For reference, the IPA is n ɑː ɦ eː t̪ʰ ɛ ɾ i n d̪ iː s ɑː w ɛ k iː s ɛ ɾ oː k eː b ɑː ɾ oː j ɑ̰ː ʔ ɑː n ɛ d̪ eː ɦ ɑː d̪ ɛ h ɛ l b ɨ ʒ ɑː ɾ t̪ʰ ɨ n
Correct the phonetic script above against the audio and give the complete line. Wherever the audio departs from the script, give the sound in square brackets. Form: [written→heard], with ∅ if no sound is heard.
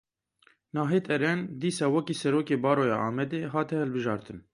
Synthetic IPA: n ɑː ɦ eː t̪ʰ ɛ ɾ [i→ɛ] n d̪ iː s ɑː w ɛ k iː s ɛ ɾ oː k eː b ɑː ɾ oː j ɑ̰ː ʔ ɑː [n→m] ɛ d̪ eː ɦ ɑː [d̪→t̪] ɛ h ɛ l b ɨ ʒ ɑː ɾ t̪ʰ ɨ n